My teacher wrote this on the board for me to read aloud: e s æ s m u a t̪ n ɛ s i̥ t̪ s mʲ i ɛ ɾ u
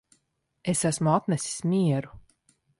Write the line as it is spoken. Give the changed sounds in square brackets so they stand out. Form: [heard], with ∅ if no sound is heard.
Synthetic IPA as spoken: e s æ s m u a t̪ n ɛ s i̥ [∅] s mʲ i ɛ ɾ u